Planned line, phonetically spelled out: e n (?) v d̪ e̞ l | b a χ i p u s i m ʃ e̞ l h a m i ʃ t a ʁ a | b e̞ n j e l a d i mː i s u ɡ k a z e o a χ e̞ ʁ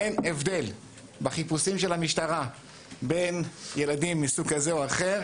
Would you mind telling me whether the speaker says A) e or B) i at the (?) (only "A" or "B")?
A